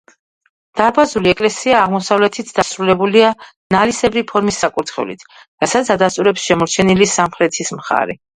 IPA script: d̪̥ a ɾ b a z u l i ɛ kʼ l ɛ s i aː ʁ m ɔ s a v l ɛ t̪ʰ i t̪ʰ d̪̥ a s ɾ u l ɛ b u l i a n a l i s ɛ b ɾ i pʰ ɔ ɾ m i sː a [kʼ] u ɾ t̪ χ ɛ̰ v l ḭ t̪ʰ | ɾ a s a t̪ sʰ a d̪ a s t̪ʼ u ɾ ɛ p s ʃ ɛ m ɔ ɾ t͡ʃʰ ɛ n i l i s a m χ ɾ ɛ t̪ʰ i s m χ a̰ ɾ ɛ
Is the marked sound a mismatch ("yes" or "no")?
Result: no